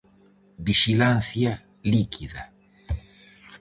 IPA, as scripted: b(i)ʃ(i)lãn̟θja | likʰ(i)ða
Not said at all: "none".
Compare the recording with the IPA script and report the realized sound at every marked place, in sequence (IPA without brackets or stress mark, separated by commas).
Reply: i, i, i